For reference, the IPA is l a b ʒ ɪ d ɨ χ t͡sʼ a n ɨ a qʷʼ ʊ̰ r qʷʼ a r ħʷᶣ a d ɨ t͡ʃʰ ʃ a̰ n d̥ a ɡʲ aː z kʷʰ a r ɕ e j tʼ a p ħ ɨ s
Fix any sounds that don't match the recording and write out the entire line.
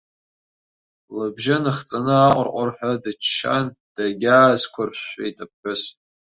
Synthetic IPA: l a b ʒ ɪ n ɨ χ t͡sʼ a n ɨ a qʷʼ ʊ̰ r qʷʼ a r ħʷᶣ a d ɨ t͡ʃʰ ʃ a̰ n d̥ a ɡʲ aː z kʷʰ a r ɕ e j tʼ a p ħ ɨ s